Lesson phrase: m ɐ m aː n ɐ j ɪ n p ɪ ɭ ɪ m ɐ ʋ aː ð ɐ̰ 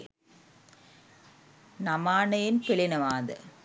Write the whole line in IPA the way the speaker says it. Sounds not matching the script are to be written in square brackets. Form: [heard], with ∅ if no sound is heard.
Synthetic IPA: [n] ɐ m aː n ɐ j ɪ n p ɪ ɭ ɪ [n] ɐ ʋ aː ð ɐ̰

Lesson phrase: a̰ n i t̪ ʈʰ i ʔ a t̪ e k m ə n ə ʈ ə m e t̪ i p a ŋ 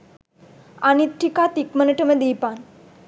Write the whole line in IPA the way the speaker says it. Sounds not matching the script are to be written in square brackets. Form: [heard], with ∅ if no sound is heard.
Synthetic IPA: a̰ n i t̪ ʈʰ i [k] a t̪ [i] k m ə n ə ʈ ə m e [d̪] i p a [n]

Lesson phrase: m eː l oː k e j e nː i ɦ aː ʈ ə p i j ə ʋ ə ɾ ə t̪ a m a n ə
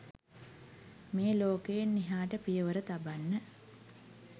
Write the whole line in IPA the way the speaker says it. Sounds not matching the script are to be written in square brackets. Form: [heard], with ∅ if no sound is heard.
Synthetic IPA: m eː l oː k e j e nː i ɦ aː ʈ ə p i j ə ʋ ə ɾ ə t̪ a [b] a [nː] ə

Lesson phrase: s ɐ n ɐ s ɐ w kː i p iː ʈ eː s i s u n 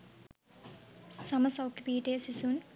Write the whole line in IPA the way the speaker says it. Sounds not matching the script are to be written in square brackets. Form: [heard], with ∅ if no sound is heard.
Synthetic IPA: s ɐ [m] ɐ s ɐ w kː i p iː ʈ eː s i s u n

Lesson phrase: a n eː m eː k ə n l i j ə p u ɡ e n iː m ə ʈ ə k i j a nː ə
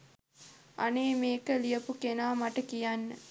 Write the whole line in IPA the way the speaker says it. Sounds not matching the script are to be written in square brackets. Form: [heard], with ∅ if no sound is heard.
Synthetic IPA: a n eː m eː k ə [∅] l i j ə p u [k] e n [aː] m [a] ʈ ə k i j a nː ə

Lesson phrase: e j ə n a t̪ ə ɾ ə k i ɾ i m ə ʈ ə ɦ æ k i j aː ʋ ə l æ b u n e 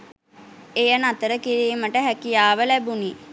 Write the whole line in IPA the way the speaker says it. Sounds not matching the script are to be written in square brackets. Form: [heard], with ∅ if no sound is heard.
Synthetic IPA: e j ə n a t̪ ə ɾ ə k i ɾ [iː] m ə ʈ ə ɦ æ k i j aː ʋ ə l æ b u n [i]

